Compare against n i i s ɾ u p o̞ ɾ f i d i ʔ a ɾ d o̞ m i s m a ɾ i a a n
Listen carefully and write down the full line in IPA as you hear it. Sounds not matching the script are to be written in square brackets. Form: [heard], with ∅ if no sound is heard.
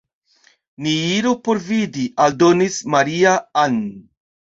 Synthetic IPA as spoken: n i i [∅] ɾ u p o̞ ɾ [v] i d i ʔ a [l] d o̞ [n] i s m a ɾ i a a n